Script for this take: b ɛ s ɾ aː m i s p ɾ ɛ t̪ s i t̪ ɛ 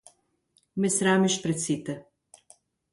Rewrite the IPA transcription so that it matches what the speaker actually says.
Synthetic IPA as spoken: m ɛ s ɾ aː m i ʃ p ɾ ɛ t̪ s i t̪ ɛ